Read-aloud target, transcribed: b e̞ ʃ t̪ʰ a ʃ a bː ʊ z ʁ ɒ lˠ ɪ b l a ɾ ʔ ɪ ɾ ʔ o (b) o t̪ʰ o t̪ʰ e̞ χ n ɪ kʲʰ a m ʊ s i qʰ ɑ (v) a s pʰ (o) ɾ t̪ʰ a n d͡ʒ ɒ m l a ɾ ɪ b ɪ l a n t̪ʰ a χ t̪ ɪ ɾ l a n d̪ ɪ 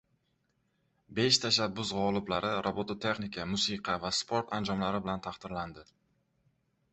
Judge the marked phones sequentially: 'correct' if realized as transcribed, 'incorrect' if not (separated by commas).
correct, correct, correct